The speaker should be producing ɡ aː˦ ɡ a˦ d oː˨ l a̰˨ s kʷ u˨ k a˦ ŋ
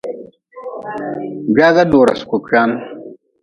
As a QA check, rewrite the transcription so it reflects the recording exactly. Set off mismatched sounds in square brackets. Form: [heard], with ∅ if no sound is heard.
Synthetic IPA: ɡ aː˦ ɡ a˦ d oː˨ [ɾ] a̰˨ s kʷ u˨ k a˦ [n]